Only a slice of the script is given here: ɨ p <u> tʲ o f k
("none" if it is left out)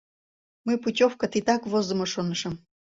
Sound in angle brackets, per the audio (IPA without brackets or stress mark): u